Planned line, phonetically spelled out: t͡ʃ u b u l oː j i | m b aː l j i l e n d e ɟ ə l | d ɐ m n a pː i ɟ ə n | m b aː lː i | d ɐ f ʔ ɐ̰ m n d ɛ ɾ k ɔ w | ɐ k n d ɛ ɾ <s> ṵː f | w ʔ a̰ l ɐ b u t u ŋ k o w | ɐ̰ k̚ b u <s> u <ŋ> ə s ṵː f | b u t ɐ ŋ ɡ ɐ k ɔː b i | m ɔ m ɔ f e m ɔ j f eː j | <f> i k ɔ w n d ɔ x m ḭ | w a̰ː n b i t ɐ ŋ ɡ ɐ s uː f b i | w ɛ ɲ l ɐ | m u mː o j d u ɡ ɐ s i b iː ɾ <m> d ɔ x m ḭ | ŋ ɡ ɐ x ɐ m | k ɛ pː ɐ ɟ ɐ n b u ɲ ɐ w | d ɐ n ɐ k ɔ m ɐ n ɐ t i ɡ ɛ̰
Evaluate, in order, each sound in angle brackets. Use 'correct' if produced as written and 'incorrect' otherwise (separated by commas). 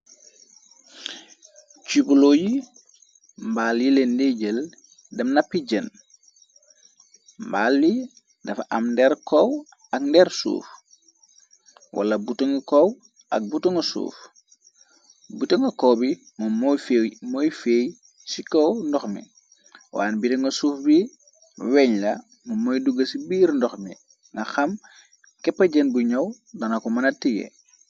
correct, incorrect, correct, incorrect, incorrect